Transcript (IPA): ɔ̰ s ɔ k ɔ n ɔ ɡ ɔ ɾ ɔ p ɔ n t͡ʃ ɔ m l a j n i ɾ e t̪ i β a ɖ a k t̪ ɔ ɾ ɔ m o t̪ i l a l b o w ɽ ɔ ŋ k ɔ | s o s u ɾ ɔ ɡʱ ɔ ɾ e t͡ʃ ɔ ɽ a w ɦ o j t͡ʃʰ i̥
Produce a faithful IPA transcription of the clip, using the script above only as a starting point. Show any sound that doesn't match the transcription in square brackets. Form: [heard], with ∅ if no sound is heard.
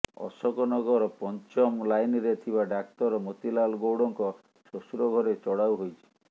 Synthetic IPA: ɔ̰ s ɔ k ɔ n ɔ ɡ ɔ ɾ ɔ p ɔ n t͡ʃ ɔ m l a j n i ɾ e [t̪ʰ] i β a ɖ a k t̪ ɔ ɾ ɔ m o t̪ i l a l [ɡ] o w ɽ ɔ ŋ k ɔ | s o s u ɾ ɔ ɡʱ ɔ ɾ e t͡ʃ ɔ ɽ a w ɦ o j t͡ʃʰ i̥